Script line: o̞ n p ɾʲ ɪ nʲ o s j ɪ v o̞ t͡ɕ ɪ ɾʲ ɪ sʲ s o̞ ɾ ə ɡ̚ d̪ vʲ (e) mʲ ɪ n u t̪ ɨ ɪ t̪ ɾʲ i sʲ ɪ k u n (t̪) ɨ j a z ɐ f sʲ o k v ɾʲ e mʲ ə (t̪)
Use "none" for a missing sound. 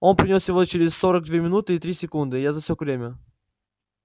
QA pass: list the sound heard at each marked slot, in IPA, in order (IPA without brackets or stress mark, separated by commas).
e, d̪, none